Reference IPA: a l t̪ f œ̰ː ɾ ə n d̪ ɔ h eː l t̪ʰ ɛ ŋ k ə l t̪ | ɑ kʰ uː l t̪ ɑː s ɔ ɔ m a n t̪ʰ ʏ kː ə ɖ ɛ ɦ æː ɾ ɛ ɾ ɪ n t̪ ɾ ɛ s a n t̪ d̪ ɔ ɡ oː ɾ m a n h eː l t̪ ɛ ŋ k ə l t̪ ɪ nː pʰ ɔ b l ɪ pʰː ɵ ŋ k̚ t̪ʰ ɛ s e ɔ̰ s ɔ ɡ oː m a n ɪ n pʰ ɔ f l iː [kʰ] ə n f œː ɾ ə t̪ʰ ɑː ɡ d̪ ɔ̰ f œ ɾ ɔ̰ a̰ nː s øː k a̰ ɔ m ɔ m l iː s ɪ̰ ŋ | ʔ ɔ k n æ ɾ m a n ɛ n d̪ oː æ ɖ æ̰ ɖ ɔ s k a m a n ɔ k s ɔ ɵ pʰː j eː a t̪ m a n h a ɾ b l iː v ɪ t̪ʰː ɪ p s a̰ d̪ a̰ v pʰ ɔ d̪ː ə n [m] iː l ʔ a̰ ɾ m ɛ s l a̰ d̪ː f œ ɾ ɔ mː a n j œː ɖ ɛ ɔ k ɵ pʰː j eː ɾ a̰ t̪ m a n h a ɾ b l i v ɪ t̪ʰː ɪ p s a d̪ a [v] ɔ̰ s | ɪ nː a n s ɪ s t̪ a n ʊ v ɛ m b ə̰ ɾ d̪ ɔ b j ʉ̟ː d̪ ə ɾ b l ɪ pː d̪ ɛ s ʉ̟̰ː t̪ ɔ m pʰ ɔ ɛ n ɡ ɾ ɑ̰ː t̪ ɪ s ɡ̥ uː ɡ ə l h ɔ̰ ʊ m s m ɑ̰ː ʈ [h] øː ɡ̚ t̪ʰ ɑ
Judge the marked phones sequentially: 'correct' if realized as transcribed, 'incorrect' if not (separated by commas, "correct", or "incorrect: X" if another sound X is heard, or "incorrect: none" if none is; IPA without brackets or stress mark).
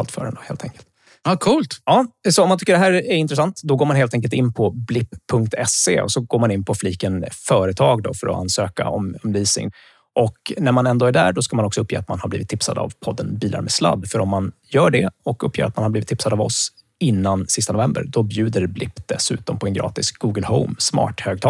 incorrect: k, incorrect: b, correct, correct